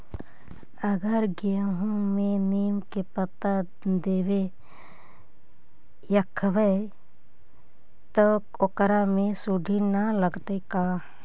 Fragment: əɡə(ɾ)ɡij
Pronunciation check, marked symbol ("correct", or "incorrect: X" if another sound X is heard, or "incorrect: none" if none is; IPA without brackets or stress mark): correct